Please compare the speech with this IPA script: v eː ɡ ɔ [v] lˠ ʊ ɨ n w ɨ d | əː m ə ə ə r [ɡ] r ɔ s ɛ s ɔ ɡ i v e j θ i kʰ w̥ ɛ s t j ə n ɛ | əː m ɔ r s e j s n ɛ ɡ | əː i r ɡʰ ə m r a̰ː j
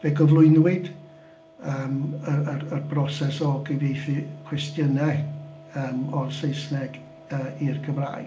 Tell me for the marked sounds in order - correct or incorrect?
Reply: correct, incorrect

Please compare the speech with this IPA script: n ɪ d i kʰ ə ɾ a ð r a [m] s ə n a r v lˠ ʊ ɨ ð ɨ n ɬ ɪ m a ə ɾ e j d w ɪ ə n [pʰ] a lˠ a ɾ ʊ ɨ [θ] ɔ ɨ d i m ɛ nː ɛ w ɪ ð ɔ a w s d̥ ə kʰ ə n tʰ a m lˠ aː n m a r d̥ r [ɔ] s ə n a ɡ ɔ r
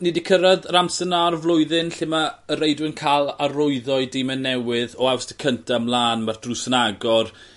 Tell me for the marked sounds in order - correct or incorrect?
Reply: correct, incorrect, incorrect, incorrect

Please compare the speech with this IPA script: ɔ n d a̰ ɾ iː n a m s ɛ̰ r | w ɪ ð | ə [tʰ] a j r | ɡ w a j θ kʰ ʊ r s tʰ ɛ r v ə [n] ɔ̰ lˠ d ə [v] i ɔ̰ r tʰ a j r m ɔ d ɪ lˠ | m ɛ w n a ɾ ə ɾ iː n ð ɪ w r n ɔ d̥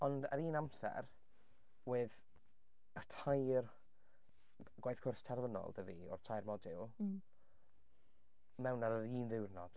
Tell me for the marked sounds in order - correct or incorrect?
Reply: correct, correct, correct

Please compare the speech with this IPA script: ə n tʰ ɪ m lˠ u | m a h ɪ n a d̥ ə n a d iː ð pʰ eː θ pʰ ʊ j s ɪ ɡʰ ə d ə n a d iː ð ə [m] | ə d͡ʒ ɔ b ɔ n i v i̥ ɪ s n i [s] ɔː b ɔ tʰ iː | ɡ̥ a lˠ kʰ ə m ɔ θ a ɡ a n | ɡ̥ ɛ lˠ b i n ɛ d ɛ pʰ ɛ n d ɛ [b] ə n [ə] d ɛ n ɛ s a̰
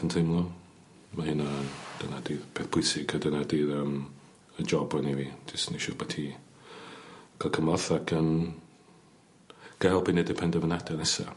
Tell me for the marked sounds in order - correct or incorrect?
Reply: correct, incorrect, incorrect, incorrect

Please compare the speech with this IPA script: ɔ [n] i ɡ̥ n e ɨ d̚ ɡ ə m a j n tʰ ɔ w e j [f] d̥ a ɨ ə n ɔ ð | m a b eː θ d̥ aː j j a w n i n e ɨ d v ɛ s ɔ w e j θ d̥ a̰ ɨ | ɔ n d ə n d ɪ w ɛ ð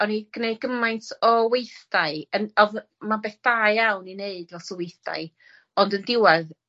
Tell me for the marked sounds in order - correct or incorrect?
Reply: correct, incorrect

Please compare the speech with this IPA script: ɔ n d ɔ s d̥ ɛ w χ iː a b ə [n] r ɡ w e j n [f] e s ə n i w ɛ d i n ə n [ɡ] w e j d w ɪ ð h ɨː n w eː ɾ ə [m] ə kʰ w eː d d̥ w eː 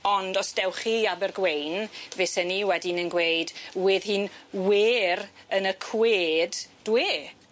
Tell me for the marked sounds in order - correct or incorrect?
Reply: incorrect, incorrect, correct, incorrect

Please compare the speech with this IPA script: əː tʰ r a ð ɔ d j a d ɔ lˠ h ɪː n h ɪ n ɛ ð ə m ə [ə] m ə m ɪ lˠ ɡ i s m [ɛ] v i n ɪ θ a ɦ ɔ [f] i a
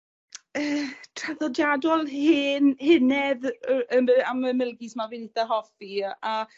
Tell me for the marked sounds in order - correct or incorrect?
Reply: incorrect, incorrect, correct

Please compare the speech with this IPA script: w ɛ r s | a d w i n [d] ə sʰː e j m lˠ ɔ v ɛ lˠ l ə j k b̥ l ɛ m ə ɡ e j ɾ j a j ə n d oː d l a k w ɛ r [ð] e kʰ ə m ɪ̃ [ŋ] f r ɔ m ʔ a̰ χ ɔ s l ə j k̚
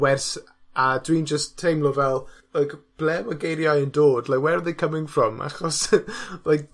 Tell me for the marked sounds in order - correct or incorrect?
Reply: incorrect, correct, correct

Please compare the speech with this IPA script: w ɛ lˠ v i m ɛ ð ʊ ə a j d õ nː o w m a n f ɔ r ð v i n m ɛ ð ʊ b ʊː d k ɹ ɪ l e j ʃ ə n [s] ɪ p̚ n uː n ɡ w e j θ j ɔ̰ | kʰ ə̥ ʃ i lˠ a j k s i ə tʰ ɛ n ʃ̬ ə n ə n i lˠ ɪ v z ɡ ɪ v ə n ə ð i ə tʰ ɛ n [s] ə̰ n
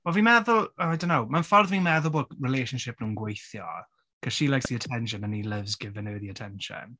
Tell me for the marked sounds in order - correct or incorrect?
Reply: incorrect, incorrect

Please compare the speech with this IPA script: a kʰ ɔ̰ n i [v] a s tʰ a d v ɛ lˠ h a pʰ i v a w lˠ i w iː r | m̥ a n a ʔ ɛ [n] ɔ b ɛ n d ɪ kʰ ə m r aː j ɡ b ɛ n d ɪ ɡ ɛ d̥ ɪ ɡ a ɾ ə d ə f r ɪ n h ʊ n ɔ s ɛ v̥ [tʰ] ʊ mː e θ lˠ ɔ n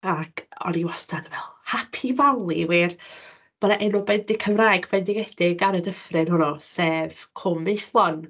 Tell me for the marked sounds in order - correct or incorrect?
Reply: incorrect, correct, incorrect

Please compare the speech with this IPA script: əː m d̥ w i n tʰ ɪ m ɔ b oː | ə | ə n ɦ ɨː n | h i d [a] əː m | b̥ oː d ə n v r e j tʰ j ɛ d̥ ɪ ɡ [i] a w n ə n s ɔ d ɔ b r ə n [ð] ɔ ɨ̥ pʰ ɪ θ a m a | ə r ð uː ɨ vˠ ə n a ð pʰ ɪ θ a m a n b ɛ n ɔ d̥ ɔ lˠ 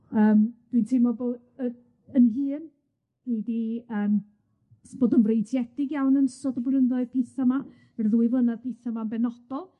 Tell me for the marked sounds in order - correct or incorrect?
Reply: incorrect, incorrect, correct

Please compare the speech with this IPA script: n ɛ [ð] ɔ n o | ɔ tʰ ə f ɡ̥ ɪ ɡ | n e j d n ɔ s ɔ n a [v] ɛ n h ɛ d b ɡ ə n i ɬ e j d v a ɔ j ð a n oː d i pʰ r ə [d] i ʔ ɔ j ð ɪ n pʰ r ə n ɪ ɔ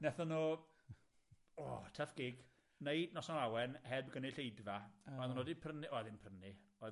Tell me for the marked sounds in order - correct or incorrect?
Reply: incorrect, incorrect, incorrect

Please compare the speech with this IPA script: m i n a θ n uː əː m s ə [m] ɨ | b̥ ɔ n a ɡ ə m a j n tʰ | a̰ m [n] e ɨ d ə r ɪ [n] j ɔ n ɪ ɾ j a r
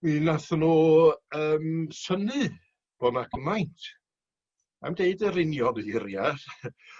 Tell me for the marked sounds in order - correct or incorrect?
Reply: incorrect, incorrect, correct

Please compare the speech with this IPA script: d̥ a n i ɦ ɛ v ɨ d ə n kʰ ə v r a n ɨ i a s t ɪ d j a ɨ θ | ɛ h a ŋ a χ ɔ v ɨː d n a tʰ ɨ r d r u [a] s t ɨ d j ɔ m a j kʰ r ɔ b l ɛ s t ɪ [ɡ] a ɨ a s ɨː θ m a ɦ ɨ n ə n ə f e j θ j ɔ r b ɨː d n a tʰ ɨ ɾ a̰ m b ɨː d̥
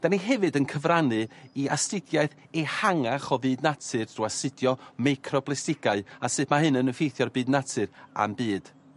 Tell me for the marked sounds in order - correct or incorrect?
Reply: correct, correct

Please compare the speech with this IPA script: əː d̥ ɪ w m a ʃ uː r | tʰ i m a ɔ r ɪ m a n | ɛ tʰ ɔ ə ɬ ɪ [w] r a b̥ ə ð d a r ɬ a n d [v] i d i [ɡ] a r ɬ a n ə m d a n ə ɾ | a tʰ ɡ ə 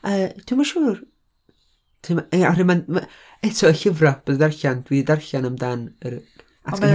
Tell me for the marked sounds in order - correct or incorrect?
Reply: incorrect, incorrect, incorrect

